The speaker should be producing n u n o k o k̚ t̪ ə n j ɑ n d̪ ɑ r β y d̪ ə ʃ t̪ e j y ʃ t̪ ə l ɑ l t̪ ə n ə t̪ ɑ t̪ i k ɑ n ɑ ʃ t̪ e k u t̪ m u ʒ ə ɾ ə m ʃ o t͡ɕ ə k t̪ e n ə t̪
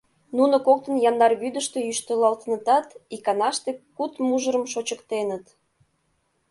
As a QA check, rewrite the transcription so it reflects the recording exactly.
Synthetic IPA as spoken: n u n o k o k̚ t̪ ə n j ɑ n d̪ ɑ r β y d̪ ə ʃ t̪ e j y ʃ t̪ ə l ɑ l t̪ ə n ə t̪ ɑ t̪ i k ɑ n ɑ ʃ t̪ e k u t̪ m u ʒ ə ɾ ə m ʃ o t͡ɕ ə k t̪ e n ə t̪